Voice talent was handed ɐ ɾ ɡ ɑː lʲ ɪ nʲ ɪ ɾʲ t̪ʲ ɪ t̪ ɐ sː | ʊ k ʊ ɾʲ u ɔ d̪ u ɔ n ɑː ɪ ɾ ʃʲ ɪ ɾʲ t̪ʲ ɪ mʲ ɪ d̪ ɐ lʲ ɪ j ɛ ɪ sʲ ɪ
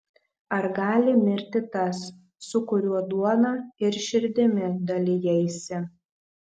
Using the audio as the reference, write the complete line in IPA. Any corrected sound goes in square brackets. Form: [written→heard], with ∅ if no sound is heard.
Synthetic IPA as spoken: ɐ ɾ ɡ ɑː lʲ ɪ [nʲ→mʲ] ɪ ɾʲ t̪ʲ ɪ t̪ ɐ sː | ʊ k ʊ ɾʲ u ɔ d̪ u ɔ n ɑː ɪ ɾ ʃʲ ɪ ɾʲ [t̪ʲ→d̪ʲ] ɪ mʲ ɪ d̪ ɐ lʲ ɪ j ɛ ɪ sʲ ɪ